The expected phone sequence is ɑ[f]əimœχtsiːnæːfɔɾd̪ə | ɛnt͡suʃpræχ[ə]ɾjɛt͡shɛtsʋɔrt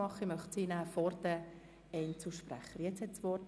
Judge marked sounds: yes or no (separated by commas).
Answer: no, yes